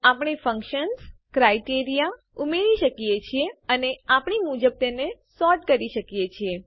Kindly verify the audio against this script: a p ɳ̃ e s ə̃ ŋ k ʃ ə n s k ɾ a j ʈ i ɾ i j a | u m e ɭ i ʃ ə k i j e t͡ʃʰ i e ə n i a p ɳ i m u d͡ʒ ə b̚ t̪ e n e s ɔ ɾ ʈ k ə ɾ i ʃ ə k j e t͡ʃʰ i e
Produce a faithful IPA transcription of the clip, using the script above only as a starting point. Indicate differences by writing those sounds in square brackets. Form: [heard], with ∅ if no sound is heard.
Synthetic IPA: a p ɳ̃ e [f] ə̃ ŋ k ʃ ə n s k ɾ a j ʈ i ɾ i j a | u m e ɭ i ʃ ə k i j e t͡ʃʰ i e ə n [e] a p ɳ i m u d͡ʒ ə b̚ t̪ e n e s ɔ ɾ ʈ k ə ɾ i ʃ ə k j e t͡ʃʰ i e